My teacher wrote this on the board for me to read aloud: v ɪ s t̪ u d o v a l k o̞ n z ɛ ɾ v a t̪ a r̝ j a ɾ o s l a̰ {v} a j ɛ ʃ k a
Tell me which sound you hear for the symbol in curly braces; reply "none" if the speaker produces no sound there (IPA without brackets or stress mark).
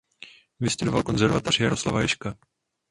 v